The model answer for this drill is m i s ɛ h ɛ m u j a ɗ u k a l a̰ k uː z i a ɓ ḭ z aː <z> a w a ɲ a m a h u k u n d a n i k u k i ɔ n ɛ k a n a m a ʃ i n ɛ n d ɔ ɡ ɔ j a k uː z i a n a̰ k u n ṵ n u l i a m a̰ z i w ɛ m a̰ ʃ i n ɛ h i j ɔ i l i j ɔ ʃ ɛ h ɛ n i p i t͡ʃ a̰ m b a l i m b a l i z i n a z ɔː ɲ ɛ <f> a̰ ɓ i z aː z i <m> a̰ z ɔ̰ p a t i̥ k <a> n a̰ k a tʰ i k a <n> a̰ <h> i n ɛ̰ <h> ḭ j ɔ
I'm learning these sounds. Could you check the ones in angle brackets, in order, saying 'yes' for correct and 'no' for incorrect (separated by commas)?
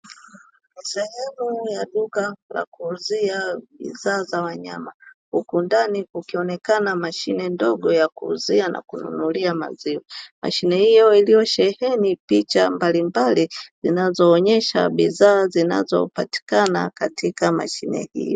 yes, no, no, yes, no, no, yes